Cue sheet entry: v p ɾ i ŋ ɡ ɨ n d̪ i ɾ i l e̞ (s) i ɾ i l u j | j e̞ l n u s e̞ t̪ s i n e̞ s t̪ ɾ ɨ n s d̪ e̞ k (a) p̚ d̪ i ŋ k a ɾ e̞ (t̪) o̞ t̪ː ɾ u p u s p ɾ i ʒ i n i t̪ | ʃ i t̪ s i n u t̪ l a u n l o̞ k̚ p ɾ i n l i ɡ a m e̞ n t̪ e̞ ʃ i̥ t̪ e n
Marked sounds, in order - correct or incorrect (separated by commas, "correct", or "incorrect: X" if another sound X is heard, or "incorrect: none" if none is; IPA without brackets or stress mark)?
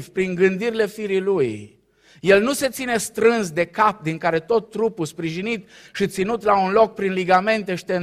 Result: incorrect: f, correct, correct